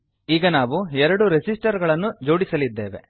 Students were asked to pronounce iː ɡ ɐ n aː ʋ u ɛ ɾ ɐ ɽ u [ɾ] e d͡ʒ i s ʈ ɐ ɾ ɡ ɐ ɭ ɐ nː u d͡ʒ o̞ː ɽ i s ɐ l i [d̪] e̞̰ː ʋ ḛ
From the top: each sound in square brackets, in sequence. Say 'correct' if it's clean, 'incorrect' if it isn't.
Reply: correct, incorrect

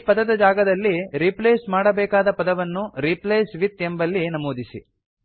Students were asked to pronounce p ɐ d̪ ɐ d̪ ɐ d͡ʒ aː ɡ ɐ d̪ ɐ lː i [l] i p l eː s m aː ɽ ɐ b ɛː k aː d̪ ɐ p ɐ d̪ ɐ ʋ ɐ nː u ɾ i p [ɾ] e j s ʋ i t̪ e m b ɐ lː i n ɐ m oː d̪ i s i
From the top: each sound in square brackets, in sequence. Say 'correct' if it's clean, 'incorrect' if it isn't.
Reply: incorrect, incorrect

